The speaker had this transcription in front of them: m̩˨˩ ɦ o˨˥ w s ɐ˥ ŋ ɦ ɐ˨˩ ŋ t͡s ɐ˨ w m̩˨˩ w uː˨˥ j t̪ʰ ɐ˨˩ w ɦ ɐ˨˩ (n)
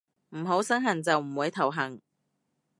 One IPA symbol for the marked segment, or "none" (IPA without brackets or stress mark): ŋ